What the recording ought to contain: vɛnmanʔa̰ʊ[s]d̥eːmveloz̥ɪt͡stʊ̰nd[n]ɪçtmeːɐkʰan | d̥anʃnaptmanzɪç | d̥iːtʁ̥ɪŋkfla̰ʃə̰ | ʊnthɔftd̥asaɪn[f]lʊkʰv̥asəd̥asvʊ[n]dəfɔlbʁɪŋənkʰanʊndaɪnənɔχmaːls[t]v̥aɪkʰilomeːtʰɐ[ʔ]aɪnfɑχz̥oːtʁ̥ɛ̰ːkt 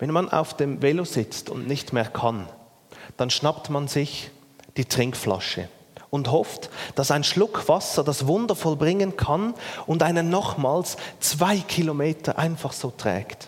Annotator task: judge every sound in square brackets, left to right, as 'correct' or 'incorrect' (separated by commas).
incorrect, correct, incorrect, correct, incorrect, correct